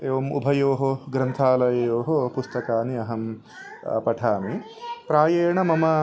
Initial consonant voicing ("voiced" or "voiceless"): voiced